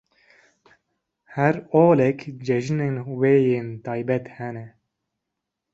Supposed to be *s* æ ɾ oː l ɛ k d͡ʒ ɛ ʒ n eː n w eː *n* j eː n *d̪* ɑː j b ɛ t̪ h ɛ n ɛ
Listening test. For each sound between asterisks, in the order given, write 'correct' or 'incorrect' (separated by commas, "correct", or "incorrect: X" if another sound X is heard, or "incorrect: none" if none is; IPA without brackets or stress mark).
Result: incorrect: h, incorrect: none, incorrect: t̪